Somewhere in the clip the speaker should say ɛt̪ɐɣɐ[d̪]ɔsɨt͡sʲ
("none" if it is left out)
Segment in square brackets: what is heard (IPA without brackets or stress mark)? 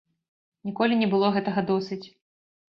d̪